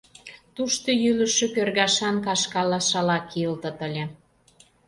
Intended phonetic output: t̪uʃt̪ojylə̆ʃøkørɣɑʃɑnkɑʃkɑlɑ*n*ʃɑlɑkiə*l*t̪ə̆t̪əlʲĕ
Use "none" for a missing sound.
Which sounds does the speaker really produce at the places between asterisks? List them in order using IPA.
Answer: none, l

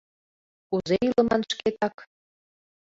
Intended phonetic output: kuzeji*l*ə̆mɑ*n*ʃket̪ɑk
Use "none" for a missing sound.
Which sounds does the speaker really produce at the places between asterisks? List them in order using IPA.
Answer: l, n

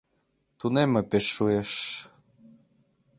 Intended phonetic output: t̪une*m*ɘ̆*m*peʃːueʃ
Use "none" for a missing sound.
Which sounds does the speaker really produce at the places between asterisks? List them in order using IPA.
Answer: m, none

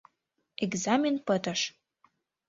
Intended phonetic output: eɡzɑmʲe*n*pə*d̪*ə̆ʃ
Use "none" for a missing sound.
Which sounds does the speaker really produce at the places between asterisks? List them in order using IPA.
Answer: n, t̪

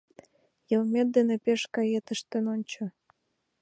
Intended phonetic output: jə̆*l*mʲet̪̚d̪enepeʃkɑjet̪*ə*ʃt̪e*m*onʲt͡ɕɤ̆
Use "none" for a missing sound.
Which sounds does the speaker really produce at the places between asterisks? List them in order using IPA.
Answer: l, ə, n

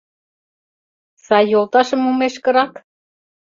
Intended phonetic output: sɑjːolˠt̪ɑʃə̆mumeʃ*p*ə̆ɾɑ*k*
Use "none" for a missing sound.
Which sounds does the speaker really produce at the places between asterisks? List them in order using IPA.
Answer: k, k

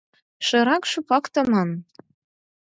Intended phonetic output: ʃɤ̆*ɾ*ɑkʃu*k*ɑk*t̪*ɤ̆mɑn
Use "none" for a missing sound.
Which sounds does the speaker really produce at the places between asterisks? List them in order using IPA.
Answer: ɾ, p, t̪

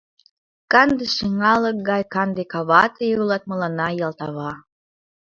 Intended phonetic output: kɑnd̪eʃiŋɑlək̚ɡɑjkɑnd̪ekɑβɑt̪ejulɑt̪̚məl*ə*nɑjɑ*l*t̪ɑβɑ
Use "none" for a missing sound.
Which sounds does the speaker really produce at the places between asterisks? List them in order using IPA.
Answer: ɑ, l

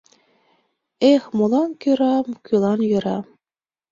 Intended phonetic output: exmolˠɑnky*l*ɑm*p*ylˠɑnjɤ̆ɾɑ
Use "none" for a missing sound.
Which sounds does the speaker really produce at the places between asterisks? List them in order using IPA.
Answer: ɾ, k

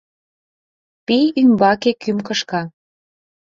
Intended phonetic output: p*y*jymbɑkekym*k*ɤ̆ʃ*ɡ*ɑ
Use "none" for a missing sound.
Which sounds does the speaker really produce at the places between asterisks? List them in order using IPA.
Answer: i, k, k

